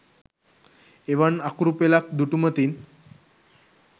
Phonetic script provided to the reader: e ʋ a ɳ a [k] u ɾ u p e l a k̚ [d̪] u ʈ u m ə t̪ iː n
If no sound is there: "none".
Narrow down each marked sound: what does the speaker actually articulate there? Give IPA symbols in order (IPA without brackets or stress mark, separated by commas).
k, d̪